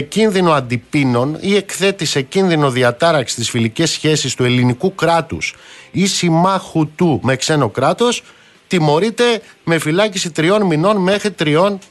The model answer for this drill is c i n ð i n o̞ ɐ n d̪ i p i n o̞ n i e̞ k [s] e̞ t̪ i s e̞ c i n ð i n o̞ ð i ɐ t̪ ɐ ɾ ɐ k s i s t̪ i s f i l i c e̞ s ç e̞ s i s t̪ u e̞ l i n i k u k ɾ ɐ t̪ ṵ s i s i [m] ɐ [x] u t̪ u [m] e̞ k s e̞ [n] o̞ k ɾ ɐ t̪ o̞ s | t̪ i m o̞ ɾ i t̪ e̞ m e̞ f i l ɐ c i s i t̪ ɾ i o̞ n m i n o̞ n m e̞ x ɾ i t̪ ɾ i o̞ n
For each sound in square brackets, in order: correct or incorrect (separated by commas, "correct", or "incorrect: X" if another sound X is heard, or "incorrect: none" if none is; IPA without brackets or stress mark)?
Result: incorrect: θ, correct, correct, correct, correct